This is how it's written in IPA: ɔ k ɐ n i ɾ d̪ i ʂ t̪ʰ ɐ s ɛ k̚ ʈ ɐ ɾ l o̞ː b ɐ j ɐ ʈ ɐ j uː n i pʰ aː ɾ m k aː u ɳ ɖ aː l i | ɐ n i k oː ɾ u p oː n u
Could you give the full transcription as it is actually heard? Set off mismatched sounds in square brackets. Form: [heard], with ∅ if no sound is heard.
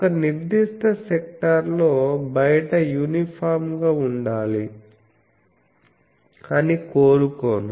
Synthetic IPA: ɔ k ɐ n i ɾ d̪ i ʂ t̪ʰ ɐ s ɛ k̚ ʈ ɐ ɾ l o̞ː b ɐ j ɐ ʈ ɐ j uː n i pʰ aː ɾ m [ɡ] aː u ɳ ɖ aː l i | ɐ n i k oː ɾ u [k] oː n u